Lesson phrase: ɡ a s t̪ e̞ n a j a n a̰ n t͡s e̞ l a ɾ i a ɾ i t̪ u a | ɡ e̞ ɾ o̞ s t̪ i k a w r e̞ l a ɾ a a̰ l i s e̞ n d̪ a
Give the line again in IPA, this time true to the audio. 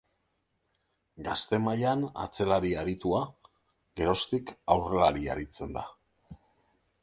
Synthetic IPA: ɡ a s t̪ e̞ m a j a n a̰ t͡s e̞ l a ɾ i a ɾ i t̪ u a | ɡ e̞ ɾ o̞ s t̪ i k a w r e̞ l a ɾ i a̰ ɾ i t͡s e̞ n d̪ a